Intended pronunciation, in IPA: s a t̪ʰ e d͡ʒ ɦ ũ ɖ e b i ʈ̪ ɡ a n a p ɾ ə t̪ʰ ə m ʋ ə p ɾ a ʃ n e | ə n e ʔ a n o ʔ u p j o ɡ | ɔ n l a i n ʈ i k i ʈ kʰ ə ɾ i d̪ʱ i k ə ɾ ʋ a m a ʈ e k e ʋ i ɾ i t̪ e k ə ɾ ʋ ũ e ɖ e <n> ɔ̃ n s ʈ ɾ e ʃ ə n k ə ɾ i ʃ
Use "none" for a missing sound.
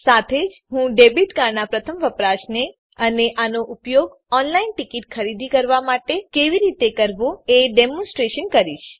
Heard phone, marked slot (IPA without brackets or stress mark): m